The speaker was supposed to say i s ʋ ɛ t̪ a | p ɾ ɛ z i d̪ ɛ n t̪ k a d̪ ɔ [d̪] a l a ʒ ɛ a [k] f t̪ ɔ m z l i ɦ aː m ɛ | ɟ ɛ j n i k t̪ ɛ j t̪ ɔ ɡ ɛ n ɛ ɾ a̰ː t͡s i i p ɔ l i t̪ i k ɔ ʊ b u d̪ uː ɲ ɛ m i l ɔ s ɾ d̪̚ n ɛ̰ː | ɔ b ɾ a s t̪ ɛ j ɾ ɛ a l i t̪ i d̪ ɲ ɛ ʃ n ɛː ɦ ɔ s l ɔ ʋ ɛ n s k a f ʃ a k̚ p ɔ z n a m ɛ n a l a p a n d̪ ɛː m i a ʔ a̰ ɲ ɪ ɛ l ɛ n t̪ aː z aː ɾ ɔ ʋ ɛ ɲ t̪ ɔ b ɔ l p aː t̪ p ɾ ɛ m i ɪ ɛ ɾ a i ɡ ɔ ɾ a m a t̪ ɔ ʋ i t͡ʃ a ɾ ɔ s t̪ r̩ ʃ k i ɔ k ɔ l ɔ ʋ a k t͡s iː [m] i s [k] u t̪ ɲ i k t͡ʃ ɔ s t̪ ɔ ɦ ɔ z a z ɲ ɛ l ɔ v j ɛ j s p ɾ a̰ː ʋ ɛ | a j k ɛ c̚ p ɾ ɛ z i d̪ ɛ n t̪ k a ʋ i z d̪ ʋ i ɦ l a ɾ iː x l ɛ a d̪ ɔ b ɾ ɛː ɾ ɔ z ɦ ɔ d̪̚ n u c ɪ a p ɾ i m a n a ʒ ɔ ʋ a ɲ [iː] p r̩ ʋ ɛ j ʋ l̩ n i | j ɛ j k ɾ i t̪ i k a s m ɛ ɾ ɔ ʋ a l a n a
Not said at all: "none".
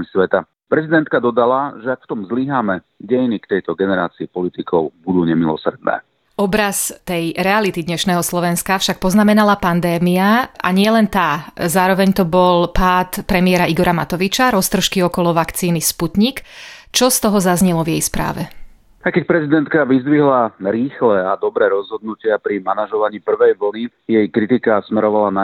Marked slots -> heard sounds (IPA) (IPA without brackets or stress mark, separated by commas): d̪, k, n, p, iː